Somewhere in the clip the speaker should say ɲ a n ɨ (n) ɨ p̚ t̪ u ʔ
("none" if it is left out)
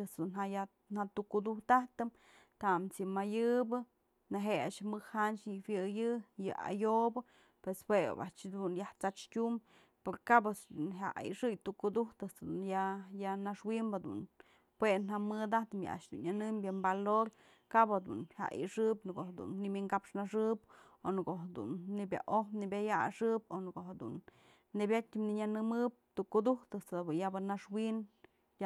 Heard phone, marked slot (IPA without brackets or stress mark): m